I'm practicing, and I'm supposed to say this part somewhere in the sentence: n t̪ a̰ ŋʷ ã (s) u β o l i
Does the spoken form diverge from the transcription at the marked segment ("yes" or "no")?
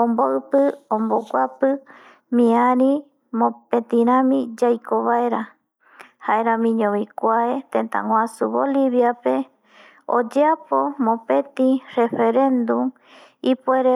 no